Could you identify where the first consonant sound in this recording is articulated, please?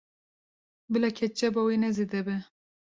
labial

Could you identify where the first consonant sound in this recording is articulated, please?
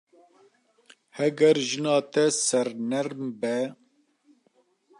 glottal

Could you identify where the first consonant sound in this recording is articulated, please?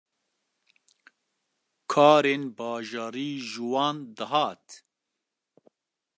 velar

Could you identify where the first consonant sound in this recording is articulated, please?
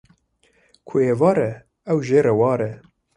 velar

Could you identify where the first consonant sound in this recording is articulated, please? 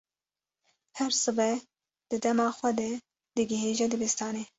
glottal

